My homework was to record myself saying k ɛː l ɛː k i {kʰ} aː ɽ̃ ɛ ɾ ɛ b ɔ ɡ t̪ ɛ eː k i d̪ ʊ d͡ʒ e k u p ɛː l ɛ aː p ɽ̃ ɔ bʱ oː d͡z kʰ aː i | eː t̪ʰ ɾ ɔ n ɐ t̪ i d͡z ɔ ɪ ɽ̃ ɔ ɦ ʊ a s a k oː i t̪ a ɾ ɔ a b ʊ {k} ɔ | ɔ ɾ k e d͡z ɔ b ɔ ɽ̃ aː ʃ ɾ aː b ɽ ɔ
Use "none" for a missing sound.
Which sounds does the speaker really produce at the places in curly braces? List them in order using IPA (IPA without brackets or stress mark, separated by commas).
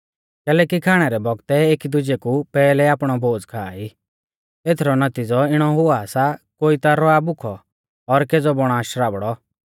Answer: kʰ, kʰ